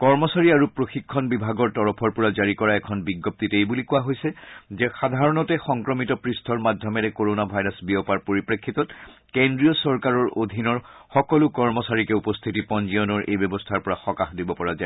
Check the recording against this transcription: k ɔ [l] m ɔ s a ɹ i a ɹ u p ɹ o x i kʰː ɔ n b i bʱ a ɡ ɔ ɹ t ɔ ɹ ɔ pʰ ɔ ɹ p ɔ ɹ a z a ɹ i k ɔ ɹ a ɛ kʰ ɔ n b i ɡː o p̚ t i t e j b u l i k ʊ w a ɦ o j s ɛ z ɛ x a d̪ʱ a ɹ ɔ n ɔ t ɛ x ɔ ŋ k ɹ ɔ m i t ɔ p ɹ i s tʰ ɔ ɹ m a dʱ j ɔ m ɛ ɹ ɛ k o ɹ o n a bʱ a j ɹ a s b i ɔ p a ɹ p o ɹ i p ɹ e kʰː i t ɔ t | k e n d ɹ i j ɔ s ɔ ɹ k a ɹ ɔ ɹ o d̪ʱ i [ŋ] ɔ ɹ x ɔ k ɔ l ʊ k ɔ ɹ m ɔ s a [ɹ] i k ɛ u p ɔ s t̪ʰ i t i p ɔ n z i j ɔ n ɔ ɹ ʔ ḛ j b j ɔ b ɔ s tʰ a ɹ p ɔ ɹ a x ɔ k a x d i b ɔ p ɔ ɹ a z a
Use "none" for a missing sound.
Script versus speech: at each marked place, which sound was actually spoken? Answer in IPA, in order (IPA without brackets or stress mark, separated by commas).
ɹ, n, ɹ